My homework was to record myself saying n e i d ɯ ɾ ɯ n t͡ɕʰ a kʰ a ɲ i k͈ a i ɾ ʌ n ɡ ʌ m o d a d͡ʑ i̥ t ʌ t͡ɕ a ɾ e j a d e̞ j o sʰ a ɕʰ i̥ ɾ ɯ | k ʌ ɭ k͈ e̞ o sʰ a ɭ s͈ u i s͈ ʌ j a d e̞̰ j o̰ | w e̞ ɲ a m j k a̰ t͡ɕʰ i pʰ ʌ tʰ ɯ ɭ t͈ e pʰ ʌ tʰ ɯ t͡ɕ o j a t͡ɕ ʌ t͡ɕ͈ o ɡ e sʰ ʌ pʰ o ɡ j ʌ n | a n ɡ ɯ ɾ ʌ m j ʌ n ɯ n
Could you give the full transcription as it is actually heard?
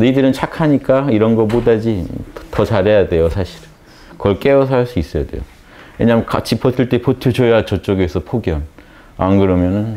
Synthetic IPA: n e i d ɯ ɾ ɯ n t͡ɕʰ a kʰ a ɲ i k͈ a i ɾ ʌ n ɡ ʌ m o d a d͡ʑ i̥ t ʌ t͡ɕ a ɾ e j a d e̞ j o sʰ a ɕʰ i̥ ɾ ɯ | k ʌ ɭ k͈ e̞ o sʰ a ɭ s͈ u i s͈ ʌ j a d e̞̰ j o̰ | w e̞ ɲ a m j k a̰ t͡ɕʰ i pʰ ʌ tʰ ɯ ɭ t͈ e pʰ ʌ tʰ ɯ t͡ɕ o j a t͡ɕ ʌ t͡ɕ͈ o ɡ e sʰ ʌ pʰ o ɡ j ʌ n | a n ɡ ɯ ɾ ʌ m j ʌ n ɯ n